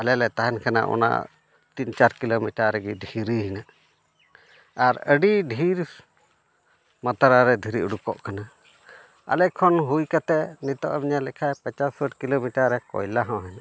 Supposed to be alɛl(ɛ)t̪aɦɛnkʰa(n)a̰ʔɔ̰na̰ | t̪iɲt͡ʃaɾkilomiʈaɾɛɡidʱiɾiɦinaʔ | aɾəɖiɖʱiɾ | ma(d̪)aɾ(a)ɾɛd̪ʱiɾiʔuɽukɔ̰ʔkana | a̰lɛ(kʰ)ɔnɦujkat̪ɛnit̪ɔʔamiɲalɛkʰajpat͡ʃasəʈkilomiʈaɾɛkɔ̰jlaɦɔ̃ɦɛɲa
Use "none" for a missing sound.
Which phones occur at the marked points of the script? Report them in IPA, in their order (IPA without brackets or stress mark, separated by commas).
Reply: ɛ, n, t̪, a, kʰ